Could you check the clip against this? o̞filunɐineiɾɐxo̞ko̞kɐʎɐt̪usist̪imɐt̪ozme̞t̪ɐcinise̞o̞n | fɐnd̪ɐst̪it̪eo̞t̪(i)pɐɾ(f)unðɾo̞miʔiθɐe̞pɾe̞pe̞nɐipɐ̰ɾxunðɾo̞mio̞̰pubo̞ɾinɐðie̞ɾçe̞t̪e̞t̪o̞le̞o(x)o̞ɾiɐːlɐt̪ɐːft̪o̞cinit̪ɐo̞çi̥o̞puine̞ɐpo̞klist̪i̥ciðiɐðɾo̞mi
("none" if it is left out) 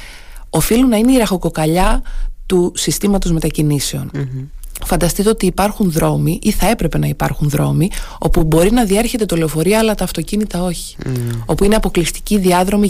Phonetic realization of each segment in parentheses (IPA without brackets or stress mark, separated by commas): iː, x, f